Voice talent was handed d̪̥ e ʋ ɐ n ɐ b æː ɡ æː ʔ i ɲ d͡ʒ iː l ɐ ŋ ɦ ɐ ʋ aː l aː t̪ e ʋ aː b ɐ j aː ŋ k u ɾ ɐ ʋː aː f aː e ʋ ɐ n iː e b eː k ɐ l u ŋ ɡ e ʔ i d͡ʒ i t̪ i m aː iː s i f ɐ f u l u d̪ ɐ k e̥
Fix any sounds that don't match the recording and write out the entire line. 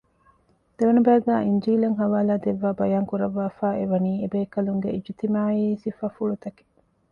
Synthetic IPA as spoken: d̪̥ e ʋ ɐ n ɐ b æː ɡ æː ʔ i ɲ d͡ʒ iː l ɐ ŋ ɦ ɐ ʋ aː l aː d̪ e ʋː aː b ɐ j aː ŋ k u ɾ ɐ ʋː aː f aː e ʋ ɐ n iː e b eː k ɐ l u ŋ ɡ e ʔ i d͡ʒ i t̪ i m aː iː s i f ɐ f u ɭ u t̪ ɐ k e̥